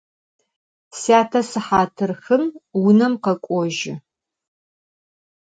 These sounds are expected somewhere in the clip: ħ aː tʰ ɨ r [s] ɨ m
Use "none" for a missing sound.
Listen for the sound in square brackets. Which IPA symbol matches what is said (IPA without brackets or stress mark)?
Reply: x